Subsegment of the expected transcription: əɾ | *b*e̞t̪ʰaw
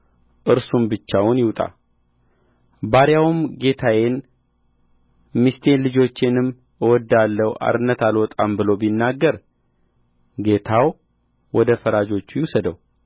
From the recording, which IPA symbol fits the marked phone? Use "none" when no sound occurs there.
ɡ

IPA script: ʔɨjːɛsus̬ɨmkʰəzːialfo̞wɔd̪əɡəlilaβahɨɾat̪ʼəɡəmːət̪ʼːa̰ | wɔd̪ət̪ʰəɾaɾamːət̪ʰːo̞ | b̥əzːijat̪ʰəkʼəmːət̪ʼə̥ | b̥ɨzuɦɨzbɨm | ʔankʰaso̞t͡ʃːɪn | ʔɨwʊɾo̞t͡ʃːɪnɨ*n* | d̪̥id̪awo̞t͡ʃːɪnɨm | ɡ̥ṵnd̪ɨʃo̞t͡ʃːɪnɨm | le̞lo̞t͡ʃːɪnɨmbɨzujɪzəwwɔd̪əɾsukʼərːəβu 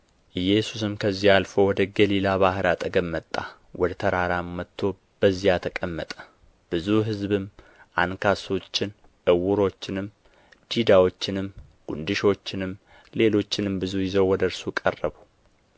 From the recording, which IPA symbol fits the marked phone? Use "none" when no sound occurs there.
m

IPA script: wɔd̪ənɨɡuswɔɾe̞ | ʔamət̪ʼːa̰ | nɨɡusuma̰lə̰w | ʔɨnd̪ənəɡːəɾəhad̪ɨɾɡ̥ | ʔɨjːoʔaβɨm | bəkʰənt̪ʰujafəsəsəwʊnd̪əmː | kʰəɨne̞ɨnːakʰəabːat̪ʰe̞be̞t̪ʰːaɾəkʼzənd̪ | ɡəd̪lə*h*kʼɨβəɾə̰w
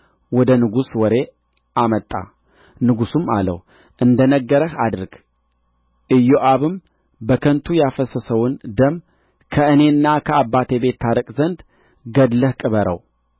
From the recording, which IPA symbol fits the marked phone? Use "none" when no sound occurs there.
h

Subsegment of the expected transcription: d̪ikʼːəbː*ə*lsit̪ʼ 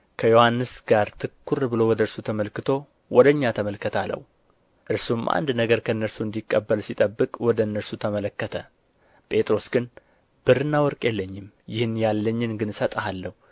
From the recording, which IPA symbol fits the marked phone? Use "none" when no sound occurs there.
ə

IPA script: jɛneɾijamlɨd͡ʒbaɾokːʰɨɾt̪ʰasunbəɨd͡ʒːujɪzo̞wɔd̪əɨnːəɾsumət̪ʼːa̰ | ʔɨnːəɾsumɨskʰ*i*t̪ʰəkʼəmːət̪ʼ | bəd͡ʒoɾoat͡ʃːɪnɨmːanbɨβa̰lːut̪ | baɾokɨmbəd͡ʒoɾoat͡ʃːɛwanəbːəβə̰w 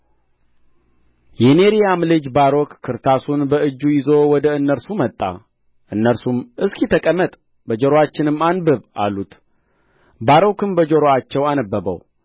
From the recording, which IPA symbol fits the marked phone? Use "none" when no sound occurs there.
i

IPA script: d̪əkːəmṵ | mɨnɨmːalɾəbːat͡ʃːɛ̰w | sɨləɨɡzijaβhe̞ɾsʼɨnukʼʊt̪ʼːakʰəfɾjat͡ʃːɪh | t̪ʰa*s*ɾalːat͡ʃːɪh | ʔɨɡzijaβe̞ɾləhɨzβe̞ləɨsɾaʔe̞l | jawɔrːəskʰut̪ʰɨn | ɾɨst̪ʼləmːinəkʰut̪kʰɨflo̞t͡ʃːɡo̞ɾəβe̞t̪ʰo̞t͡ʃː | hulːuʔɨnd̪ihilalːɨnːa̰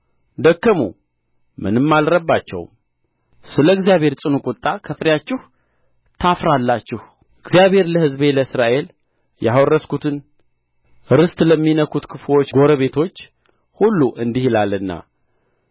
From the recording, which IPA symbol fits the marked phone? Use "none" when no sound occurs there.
f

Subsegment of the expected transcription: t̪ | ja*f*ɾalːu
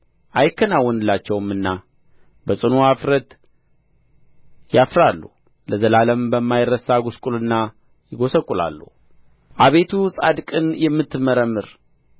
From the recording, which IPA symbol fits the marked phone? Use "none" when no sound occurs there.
f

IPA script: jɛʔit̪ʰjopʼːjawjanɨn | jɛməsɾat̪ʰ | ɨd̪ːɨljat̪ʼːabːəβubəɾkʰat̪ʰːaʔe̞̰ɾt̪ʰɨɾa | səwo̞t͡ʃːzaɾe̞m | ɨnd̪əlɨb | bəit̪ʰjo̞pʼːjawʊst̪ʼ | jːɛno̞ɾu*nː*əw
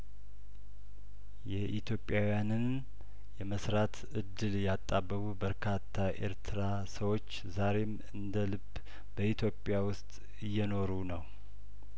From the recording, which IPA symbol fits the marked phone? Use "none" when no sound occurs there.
n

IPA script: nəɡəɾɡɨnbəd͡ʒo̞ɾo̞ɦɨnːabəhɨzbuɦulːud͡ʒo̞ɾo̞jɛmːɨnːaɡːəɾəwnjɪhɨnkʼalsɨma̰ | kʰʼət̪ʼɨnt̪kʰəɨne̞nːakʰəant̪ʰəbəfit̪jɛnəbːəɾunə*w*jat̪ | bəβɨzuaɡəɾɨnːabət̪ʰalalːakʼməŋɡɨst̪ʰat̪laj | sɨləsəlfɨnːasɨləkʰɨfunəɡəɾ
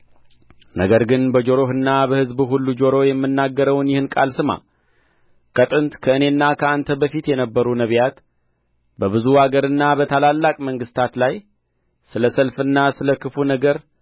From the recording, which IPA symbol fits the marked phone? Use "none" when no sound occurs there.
β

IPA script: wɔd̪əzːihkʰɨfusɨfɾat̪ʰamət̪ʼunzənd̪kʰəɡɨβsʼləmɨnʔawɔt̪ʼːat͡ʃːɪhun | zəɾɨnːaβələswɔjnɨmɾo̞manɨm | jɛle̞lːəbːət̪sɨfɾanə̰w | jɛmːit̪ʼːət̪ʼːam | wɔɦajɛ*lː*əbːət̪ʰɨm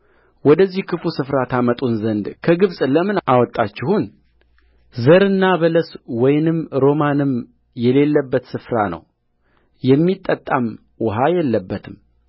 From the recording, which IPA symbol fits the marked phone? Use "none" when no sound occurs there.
lː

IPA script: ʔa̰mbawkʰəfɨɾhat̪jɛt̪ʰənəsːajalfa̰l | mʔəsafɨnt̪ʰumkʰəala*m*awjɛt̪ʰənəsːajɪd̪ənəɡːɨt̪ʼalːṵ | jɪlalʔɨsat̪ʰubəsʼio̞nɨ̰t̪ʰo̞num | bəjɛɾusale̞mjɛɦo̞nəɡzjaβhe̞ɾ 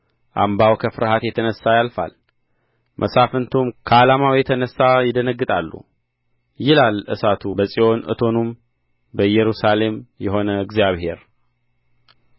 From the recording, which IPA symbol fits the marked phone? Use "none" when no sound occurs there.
m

